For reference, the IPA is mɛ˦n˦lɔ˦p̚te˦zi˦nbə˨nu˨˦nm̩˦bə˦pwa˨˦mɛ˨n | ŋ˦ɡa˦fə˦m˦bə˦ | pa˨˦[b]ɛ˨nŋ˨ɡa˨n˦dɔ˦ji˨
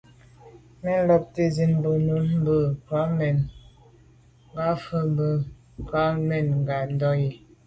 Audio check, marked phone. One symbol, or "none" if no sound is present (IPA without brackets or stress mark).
m